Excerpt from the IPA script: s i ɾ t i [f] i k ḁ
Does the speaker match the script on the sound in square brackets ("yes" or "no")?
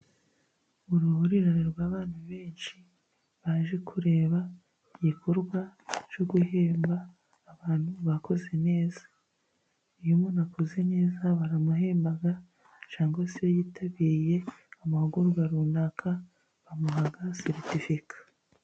yes